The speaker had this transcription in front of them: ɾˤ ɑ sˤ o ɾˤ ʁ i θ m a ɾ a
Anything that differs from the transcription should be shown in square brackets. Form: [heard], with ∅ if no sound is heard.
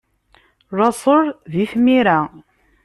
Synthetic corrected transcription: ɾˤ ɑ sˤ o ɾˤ [ð] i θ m [i] ɾ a